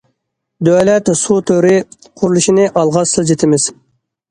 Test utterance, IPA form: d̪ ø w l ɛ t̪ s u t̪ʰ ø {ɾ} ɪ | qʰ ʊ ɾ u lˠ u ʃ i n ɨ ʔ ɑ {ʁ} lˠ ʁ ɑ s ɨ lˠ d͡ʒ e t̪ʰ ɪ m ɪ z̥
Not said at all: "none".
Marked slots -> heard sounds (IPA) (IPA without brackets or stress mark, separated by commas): ɾ, none